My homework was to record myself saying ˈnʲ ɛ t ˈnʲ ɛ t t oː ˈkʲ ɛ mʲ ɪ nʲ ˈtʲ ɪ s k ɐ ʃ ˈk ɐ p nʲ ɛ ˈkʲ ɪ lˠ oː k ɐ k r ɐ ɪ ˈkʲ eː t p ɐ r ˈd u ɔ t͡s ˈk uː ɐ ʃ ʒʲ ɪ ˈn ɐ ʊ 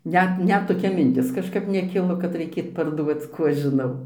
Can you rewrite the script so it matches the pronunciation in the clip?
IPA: ˈnʲ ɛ t ˈnʲ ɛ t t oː ˈkʲ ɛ mʲ ɪ nʲ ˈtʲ ɪ s k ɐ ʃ ˈk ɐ p nʲ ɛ ˈkʲ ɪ lˠ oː k ɐ t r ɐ ɪ ˈkʲ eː t p ɐ r ˈd u ɔ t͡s ˈk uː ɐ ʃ ʒʲ ɪ ˈn ɐ ʊ